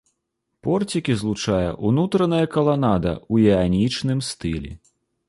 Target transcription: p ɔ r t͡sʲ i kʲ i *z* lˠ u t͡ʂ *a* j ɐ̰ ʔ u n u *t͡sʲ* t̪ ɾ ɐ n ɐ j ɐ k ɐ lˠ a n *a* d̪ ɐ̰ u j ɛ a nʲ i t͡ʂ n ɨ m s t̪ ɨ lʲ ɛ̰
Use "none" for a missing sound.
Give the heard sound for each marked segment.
z, a, none, a

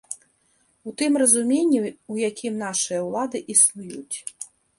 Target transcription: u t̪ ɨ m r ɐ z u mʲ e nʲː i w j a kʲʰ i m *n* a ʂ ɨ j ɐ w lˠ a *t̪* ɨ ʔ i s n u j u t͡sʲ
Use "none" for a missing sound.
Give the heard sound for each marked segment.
n, d̪

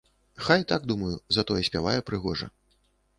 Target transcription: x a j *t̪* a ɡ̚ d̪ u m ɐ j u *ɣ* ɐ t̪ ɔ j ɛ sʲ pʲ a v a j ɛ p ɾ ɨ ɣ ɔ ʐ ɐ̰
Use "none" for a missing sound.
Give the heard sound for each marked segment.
t̪, z

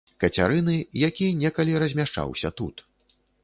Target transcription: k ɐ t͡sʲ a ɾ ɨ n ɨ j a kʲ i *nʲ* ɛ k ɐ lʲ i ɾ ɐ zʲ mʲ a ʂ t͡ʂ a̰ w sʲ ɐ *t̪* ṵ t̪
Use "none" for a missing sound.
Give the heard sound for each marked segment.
nʲ, t̪

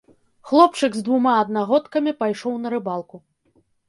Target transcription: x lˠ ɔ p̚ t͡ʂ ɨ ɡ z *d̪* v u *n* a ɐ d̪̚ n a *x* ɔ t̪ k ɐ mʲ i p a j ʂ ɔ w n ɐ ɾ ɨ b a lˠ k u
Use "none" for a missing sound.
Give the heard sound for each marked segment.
d̪, m, ɣ

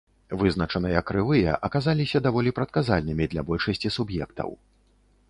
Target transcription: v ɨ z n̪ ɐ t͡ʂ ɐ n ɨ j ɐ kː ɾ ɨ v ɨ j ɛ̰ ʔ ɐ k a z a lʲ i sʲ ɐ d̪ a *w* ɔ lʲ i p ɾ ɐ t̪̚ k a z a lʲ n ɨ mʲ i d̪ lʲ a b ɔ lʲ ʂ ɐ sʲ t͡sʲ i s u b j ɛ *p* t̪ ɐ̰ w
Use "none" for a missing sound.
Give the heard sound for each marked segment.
v, k

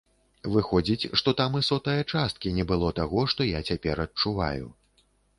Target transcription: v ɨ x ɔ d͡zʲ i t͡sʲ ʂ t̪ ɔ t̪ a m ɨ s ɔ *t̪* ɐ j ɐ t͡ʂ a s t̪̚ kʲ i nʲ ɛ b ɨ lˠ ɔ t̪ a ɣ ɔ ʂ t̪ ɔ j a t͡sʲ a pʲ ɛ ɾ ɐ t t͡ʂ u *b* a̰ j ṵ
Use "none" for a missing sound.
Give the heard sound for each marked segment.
t̪, v

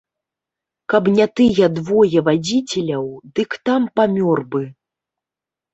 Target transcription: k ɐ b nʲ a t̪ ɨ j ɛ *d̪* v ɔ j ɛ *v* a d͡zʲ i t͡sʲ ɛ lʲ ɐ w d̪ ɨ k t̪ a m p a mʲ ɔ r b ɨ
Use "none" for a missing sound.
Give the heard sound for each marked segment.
d̪, v

